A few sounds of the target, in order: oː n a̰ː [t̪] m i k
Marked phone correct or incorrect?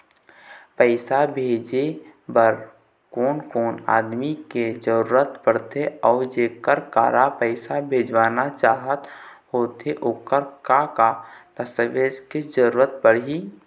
incorrect: d̪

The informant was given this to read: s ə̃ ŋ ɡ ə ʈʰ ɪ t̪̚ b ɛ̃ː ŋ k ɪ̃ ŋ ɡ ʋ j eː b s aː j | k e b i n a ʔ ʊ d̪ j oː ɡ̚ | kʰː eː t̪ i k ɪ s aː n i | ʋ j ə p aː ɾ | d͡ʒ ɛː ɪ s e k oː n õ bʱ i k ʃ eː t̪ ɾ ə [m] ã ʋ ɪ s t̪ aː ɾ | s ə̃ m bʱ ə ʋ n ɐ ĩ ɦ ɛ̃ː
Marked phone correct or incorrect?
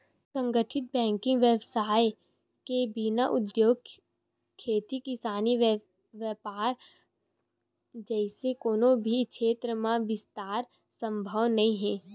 correct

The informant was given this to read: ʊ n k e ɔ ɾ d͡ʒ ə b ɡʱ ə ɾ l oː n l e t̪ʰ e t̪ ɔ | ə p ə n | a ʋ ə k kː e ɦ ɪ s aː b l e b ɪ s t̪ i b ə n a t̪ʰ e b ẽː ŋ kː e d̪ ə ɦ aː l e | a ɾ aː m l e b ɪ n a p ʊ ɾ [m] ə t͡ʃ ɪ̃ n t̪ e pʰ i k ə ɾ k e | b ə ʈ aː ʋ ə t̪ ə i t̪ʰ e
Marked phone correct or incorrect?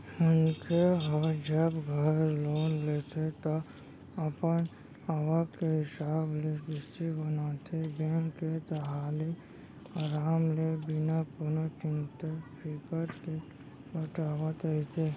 incorrect: n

